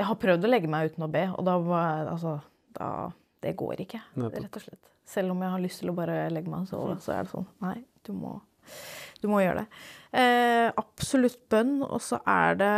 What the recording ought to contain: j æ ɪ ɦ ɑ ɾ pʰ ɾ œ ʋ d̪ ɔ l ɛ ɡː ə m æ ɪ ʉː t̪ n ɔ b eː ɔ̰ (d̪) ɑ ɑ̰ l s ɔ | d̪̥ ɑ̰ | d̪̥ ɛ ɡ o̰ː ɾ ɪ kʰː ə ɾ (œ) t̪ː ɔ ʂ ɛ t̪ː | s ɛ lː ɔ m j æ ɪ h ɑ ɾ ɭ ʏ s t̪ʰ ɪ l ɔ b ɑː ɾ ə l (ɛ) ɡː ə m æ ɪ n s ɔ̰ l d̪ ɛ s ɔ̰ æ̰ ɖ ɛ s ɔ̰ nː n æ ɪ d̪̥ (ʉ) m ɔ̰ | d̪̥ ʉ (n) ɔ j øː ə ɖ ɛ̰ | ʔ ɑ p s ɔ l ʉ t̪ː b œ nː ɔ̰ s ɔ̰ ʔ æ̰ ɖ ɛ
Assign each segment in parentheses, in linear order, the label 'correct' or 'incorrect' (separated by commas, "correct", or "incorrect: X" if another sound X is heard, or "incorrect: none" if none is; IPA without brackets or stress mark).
correct, incorrect: ɛ, correct, correct, incorrect: m